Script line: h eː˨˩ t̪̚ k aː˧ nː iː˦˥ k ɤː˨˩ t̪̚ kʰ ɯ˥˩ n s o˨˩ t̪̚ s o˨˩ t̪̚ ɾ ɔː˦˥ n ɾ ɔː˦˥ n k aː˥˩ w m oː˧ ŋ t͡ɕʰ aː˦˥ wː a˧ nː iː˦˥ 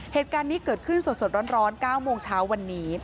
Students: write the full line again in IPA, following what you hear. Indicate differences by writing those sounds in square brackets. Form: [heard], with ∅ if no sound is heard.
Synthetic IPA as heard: h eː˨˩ t̪̚ k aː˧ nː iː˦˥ k ɤː˨˩ t̪̚ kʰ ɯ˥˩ n s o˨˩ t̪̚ s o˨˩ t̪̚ ɾ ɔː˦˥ n ɾ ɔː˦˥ n k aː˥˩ w m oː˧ ŋ t͡ɕʰ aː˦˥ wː a˧ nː iː˦˥